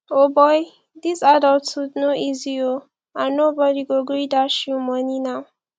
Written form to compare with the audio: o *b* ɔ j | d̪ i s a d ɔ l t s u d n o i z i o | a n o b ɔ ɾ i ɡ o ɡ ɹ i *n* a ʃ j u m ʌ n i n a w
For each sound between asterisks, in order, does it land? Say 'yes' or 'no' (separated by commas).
yes, no